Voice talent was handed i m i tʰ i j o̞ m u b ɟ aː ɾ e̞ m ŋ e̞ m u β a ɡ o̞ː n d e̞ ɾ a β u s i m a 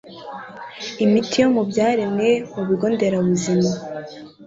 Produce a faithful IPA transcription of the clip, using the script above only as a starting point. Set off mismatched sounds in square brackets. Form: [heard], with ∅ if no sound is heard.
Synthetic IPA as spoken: i m i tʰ i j o̞ m u b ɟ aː ɾ e̞ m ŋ e̞ m u β [i] ɡ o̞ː n d e̞ ɾ a β u [z] i m a